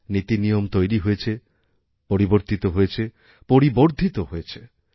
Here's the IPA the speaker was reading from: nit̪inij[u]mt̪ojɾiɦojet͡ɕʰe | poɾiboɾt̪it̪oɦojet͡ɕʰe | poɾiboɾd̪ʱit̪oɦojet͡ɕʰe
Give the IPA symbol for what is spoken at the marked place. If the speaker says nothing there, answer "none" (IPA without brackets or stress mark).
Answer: o